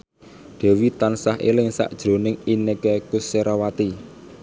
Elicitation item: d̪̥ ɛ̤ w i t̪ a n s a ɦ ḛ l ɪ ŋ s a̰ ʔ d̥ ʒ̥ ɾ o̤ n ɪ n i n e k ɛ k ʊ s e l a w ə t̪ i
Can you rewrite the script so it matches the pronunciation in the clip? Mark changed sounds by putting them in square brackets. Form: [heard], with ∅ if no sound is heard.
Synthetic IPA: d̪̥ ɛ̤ w i t̪ a n s a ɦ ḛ l ɪ ŋ s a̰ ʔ d̥ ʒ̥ ɾ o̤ n ɪ [ŋ] i n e k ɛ k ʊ s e [ɾ] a w [a] t̪ i

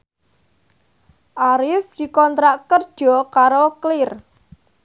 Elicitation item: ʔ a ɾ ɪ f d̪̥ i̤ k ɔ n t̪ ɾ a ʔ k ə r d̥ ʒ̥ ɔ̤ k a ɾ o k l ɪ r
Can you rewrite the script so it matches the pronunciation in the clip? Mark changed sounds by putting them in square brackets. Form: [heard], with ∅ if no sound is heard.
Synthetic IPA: ʔ a ɾ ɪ f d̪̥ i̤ k ɔ n t̪ ɾ a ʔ k ə r d̥ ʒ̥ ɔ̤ k a ɾ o k l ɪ r

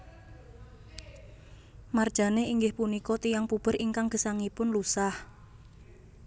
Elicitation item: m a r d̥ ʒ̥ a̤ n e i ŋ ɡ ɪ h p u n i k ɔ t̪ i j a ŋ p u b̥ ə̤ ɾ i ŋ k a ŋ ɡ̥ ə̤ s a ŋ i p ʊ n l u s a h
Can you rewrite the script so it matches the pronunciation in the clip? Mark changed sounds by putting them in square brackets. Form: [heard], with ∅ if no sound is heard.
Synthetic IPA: m a r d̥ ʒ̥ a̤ n e i ŋ ɡ ɪ h p u n i k ɔ t̪ i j a ŋ p u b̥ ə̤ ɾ i ŋ k a ŋ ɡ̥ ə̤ s a ŋ i p ʊ n l u s a h

